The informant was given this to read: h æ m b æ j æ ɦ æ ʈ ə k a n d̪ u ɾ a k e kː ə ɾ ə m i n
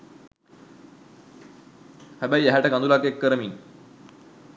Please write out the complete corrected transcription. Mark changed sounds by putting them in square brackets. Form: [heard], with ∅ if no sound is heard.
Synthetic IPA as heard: h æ [∅] b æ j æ ɦ æ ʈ ə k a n d̪ u [l] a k e kː ə ɾ ə m i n